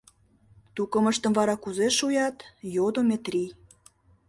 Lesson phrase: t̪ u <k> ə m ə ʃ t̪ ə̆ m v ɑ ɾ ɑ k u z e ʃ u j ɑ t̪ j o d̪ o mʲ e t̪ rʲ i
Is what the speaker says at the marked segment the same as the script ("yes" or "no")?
yes